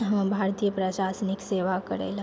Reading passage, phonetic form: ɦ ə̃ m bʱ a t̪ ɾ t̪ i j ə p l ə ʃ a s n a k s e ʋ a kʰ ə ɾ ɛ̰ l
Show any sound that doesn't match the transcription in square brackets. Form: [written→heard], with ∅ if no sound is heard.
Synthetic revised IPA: ɦ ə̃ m bʱ a [t̪→∅] ɾ t̪ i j ə p [l→ɾ] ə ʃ a s n [a→i] k s e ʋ a [kʰ→k] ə ɾ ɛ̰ l